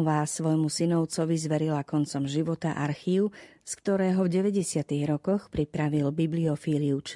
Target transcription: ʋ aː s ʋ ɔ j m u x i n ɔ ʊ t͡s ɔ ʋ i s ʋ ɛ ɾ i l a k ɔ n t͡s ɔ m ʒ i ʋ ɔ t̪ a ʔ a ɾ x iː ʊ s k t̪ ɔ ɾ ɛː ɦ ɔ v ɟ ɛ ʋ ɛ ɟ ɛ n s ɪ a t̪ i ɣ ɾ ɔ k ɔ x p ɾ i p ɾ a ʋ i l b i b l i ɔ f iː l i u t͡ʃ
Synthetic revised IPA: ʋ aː s ʋ ɔ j m u s i n ɔ ʊ t͡s ɔ ʋ i z ʋ ɛ ɾ i l a k ɔ n t͡s ɔ m ʒ i ʋ ɔ t̪ a ʔ a ɾ x iː ʊ s k t̪ ɔ ɾ ɛː ɦ ɔ v ɟ ɛ ʋ ɛ ɟ ɛ s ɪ a t̪ i ɣ ɾ ɔ k ɔ x p ɾ i p ɾ a ʋ i l b i b l i ɔ f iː l i u t͡ʃ